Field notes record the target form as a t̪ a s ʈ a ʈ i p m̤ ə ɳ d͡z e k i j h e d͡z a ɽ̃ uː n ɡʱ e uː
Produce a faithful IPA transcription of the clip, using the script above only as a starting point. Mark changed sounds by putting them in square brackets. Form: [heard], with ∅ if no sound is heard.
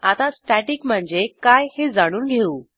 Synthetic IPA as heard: a t̪ a s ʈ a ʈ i [k] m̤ ə ɳ d͡z e k [a] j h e d͡z a ɽ̃ uː n ɡʱ e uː